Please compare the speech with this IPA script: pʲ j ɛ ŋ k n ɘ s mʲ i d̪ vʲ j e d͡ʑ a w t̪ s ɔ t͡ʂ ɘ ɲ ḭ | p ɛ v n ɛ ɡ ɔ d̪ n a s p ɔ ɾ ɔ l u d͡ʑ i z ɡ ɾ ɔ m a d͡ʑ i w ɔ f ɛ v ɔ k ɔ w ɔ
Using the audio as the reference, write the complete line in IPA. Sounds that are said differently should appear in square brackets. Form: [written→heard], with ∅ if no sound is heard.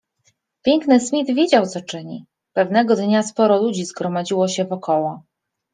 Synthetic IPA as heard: pʲ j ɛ ŋ k n ɘ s mʲ i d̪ vʲ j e d͡ʑ a w t̪ s ɔ t͡ʂ ɘ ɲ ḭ | p ɛ v n ɛ ɡ ɔ d̪ [n→ɲ] a s p ɔ ɾ ɔ l u d͡ʑ i z ɡ ɾ ɔ m a d͡ʑ i w ɔ [f→ɕ] ɛ v ɔ k ɔ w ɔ